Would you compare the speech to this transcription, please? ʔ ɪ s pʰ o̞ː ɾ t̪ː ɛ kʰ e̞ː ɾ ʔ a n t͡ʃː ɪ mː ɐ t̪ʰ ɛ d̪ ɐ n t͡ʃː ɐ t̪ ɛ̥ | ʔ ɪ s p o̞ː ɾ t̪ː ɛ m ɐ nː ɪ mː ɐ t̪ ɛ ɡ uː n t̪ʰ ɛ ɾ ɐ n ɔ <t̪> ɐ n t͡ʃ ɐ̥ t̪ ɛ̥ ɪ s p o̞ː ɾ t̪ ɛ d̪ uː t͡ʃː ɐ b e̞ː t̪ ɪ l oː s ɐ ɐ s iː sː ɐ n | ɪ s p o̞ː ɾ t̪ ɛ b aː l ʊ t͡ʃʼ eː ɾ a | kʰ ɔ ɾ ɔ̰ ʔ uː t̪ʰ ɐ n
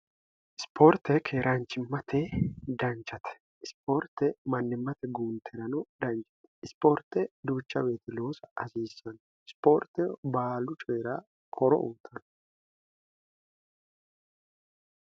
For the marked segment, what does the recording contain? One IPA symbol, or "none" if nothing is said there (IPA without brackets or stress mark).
d̪